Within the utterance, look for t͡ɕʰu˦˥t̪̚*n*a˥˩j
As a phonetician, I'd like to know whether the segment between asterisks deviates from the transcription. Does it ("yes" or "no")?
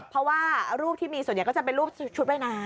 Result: yes